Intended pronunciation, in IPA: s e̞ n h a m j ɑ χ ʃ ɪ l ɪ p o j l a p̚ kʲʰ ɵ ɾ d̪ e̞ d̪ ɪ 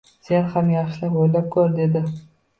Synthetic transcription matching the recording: s e̞ n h a m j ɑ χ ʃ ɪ l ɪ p o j l a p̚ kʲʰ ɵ ɾ d̪ e̞ d̪ ɪ